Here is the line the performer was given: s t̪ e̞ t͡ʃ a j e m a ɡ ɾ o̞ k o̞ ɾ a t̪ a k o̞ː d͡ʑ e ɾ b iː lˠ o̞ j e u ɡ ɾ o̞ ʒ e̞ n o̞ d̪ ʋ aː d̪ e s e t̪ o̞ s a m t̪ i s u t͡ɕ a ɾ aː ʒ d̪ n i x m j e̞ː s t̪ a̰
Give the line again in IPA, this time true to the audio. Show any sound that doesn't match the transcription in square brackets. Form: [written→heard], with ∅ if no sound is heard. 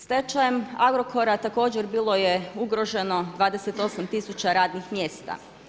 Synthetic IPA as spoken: s t̪ e̞ t͡ʃ a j e m a ɡ ɾ o̞ k o̞ ɾ a t̪ a k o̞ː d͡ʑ e ɾ b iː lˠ o̞ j e u ɡ ɾ o̞ ʒ e̞ n o̞ d̪ ʋ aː d̪ e s e t̪ o̞ s a m t̪ i s u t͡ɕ a ɾ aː [ʒ→∅] d̪ n i x m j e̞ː s t̪ a̰